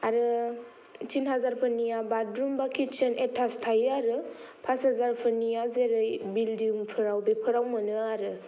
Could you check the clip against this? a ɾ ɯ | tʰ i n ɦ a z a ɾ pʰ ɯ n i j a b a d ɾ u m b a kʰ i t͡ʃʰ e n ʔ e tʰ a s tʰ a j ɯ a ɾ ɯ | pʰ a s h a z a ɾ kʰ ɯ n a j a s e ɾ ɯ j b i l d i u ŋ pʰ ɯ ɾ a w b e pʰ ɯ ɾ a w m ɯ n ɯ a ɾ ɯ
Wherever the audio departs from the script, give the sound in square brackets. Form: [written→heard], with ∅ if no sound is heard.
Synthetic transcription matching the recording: a ɾ ɯ | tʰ i n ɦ a z a ɾ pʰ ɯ n i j a b a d ɾ u m b a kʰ i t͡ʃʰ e n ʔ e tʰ a s tʰ a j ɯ a ɾ ɯ | pʰ a s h a z a ɾ [kʰ→pʰ] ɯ n [a→i] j a [s→z] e ɾ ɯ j b i l d i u ŋ pʰ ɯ ɾ a w b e pʰ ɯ ɾ a w m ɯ n ɯ a ɾ ɯ